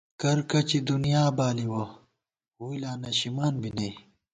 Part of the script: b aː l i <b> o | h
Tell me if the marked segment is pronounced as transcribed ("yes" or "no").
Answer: no